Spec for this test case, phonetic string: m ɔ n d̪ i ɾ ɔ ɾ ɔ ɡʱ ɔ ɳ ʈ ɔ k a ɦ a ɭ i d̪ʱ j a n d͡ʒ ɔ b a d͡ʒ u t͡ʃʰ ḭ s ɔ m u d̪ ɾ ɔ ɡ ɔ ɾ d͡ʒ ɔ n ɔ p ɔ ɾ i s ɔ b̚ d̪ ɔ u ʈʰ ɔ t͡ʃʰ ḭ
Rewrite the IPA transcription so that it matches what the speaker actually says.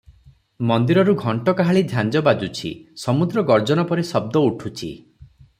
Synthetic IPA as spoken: m ɔ n d̪ i ɾ ɔ ɾ u ɡʱ ɔ ɳ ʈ ɔ k a ɦ a ɭ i d̪ʱ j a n d͡ʒ ɔ b a d͡ʒ u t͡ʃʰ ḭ s ɔ m u d̪ ɾ ɔ ɡ ɔ ɾ d͡ʒ ɔ n ɔ p ɔ ɾ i s ɔ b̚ d̪ ɔ u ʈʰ u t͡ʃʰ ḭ